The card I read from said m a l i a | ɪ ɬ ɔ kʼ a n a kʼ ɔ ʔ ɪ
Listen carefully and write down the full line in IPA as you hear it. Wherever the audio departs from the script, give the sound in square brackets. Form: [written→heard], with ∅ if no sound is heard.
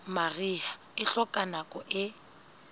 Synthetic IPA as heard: m a [l→r] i a | ɪ ɬ ɔ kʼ a n a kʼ ɔ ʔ ɪ